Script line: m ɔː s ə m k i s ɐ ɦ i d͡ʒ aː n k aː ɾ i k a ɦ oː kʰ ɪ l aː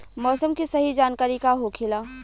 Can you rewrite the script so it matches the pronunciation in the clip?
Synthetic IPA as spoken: m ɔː s ə m k i s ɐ ɦ i d͡ʒ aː n k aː ɾ i k a ɦ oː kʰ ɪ l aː